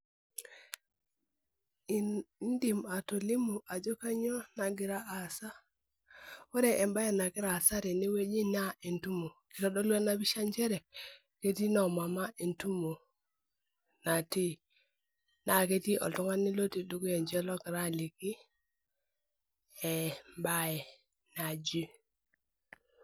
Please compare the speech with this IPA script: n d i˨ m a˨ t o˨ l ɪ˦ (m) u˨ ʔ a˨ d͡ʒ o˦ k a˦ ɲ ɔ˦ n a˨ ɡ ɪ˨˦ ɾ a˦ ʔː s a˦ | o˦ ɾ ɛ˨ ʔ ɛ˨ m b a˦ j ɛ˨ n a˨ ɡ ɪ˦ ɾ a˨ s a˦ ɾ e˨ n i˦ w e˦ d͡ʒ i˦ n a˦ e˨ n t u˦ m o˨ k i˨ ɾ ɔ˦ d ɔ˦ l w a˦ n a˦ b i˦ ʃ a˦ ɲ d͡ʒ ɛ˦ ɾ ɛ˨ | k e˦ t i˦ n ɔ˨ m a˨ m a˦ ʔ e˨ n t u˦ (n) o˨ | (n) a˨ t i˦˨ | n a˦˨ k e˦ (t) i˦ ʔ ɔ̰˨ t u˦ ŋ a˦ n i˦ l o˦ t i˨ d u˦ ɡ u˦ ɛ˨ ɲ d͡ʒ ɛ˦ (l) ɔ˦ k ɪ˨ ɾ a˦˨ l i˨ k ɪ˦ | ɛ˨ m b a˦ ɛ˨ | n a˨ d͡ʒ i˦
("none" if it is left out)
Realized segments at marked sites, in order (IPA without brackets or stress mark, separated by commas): m, m, n, t, l